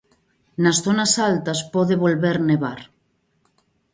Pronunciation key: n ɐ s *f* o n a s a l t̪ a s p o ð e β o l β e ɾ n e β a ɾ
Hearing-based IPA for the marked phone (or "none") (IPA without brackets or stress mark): θ